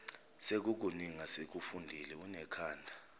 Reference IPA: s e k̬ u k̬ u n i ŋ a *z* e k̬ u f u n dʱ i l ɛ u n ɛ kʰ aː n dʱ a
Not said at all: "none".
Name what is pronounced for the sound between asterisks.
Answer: s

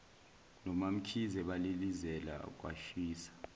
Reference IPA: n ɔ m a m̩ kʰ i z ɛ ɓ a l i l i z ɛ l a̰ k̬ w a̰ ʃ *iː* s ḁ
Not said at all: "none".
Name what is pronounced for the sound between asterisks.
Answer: iː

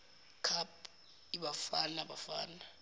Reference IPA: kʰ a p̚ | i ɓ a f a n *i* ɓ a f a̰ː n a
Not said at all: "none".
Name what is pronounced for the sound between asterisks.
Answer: a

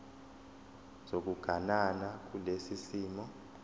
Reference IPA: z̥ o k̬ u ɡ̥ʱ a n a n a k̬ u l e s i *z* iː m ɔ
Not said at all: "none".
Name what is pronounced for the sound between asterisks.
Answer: s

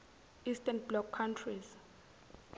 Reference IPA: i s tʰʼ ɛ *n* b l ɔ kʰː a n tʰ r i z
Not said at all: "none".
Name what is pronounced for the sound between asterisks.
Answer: n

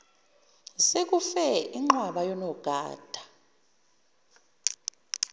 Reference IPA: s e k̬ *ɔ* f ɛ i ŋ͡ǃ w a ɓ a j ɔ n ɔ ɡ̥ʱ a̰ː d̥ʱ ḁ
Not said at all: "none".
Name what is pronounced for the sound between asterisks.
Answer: u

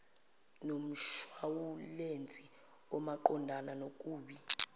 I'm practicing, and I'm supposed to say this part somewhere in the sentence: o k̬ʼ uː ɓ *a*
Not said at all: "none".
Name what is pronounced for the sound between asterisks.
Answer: i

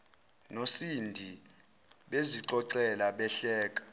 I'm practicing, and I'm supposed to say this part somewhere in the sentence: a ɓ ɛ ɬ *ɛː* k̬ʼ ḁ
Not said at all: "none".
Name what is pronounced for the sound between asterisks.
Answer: ɛː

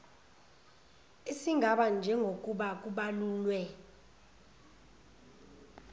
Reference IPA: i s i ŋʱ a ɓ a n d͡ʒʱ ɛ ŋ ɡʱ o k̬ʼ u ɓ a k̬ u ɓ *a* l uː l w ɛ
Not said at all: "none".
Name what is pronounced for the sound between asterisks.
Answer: a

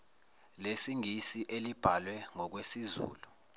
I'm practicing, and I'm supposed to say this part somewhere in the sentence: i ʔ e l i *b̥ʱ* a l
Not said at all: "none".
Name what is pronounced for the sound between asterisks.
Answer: b̥ʱ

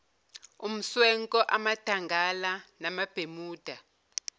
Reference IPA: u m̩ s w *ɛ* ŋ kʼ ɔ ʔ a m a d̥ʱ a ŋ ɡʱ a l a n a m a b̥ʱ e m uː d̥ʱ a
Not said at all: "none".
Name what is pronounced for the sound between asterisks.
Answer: ɛ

